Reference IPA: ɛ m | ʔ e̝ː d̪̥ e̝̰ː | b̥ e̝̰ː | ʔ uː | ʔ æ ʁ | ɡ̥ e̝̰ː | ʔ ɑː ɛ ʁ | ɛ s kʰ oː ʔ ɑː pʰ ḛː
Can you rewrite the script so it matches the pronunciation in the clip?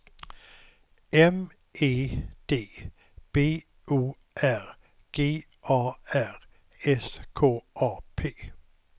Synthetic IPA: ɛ m | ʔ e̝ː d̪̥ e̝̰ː | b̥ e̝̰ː | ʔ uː | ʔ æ ʁ | ɡ̥ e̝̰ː | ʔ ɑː æ ʁ | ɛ s kʰ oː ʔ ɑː pʰ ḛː